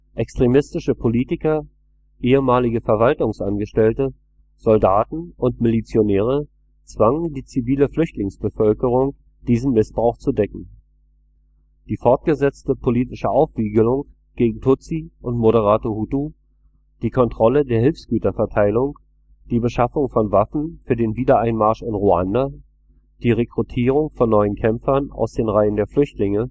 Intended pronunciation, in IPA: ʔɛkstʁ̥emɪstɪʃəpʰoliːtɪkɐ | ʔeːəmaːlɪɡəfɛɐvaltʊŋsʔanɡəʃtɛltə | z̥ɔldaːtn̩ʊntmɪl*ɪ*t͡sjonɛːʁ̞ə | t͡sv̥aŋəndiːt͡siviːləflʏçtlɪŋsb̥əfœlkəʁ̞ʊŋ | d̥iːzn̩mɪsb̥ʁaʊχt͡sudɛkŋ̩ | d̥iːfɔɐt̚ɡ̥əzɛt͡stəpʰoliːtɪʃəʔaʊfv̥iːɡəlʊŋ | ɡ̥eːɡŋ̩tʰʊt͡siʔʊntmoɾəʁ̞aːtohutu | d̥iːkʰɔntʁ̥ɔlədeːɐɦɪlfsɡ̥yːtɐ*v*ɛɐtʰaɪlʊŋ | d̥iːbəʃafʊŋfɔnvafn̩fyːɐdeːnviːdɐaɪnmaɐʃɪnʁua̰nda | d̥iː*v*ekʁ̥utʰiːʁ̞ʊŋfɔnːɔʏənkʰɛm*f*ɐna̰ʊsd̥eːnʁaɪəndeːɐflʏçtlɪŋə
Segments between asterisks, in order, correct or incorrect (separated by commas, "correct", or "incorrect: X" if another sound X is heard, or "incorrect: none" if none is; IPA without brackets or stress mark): incorrect: i, incorrect: f, incorrect: ʁ, correct